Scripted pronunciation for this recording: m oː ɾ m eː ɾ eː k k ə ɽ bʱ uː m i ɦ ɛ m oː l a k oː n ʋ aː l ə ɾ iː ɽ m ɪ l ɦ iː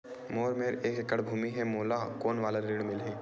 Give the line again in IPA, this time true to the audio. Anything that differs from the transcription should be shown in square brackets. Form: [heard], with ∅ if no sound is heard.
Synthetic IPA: m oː ɾ m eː ɾ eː k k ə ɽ bʱ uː m i ɦ ɛ m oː l a k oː n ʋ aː l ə ɾ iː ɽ m ɪ l ɦ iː